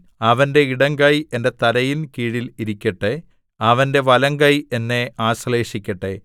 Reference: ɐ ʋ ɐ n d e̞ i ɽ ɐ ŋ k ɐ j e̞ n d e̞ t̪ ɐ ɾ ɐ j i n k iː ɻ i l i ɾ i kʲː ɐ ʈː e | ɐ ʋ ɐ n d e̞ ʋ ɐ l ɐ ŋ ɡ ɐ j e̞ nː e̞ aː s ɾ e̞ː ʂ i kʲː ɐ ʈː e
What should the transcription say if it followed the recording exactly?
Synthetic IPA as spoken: ɐ ʋ ɐ n d e̞ i ɽ ɐ ŋ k ɐ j e̞ n d e̞ t̪ ɐ ɾ ɐ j i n k iː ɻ i l i ɾ i kʲː ɐ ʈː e | ɐ ʋ ɐ n d e̞ ʋ ɐ l ɐ ŋ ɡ ɐ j e̞ nː e̞ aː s l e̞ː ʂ i kʲː ɐ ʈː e